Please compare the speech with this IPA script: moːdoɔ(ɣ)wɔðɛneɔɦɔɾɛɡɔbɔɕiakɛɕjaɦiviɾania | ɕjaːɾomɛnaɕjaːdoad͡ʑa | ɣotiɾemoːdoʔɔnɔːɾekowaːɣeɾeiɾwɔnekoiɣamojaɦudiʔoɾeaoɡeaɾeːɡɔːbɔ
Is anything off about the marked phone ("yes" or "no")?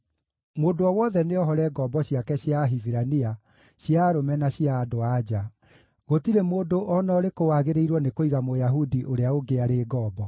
yes